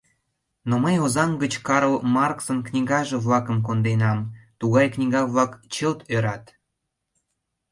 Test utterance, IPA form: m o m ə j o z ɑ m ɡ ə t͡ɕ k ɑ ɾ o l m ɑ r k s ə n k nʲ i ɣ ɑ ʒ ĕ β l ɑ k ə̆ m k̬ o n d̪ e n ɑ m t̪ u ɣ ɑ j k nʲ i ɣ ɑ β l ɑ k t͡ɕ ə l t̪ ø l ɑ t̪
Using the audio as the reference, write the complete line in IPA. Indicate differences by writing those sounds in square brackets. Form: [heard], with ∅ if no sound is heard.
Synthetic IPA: [n] o m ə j o z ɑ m ɡ ə t͡ɕ k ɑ ɾ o l m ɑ r k s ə n k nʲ i ɣ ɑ ʒ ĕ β l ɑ k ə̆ m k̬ o n d̪ e n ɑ m t̪ u ɣ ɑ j k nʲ i ɣ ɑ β l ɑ k t͡ɕ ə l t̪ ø [ɾ] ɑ t̪